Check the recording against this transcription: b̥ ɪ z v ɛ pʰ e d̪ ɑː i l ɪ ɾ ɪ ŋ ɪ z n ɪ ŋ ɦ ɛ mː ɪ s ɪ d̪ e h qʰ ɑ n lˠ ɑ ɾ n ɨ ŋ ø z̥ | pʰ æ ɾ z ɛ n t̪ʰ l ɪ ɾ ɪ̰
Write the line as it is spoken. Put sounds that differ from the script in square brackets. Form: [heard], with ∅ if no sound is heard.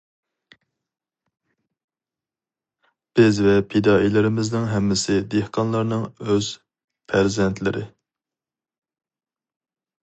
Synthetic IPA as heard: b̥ ɪ z v ɛ pʰ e d̪ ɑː i l ɪ ɾ ɪ [m] ɪ z n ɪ ŋ ɦ ɛ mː ɪ s ɪ d̪ e h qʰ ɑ n lˠ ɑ ɾ n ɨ ŋ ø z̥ | pʰ æ ɾ z ɛ n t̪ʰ l ɪ ɾ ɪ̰